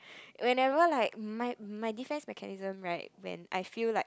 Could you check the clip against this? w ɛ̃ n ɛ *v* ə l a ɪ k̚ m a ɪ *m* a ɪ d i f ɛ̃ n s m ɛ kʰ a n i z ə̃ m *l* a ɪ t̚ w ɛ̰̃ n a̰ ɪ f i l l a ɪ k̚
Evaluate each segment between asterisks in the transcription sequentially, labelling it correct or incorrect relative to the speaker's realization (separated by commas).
correct, correct, incorrect